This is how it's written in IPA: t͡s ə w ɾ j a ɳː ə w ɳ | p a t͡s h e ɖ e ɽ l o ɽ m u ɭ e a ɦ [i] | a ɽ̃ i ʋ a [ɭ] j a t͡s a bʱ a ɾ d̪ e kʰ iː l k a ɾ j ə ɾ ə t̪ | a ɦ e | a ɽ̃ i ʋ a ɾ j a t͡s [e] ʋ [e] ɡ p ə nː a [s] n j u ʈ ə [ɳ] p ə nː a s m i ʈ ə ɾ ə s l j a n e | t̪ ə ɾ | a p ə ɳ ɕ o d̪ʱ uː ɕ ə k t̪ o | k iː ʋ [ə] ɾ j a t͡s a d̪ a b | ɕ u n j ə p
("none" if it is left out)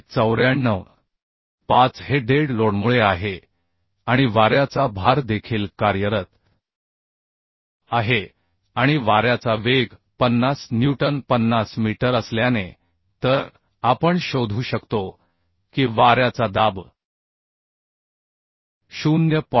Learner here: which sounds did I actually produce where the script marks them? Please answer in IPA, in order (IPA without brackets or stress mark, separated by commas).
e, ɾ, a, e, s, n, a